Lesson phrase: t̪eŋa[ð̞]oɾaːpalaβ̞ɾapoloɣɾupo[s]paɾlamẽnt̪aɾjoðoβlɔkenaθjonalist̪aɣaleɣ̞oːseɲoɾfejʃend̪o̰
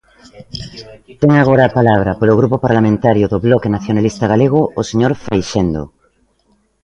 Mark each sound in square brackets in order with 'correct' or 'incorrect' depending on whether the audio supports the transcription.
incorrect: ɣ̞, incorrect: none

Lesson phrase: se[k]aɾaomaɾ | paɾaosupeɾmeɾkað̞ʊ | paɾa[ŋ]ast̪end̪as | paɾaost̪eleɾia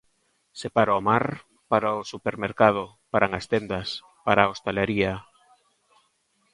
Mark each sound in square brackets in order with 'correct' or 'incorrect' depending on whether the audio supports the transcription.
incorrect: p, correct

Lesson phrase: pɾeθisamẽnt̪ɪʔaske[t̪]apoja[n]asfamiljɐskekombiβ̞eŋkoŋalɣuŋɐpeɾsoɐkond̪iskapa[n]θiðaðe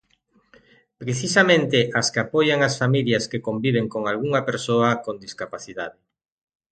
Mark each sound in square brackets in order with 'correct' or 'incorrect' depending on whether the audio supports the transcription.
incorrect: none, incorrect: ŋ, incorrect: none

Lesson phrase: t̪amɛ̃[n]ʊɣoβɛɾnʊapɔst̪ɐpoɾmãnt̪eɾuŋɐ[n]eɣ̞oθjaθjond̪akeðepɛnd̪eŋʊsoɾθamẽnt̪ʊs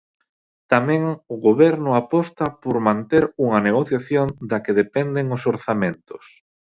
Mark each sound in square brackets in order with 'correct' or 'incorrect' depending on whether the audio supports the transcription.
incorrect: ŋ, correct

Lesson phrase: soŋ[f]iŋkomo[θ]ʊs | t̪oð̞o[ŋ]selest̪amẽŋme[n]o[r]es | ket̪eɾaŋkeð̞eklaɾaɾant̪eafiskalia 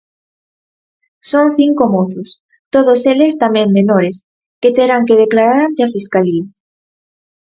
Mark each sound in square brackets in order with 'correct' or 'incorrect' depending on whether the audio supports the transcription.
incorrect: θ, correct, incorrect: none, correct, incorrect: ɾ

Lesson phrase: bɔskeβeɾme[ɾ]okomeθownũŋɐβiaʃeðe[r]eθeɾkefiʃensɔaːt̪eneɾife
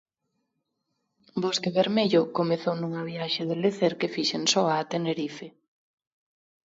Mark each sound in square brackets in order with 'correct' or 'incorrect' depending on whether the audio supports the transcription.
incorrect: ʎ, incorrect: l

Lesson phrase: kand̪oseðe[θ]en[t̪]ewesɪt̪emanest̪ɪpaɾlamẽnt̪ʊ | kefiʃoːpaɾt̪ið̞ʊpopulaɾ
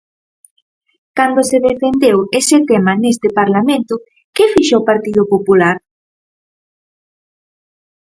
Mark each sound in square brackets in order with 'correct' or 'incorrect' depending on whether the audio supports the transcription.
incorrect: f, incorrect: d̪

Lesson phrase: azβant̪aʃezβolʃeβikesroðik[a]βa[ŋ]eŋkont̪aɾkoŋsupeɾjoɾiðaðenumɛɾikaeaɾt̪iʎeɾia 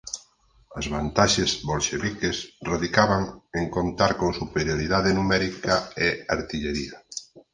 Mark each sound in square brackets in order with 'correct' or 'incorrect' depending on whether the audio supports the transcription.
correct, correct

